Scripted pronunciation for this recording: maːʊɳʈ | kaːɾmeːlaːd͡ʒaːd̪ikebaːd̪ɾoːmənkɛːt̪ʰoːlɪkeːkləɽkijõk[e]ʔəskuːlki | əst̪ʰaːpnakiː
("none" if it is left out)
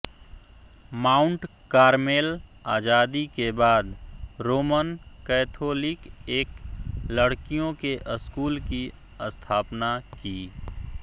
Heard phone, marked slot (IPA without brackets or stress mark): e